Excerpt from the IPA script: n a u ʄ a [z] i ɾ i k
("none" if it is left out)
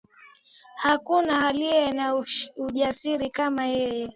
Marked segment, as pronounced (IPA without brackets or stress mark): s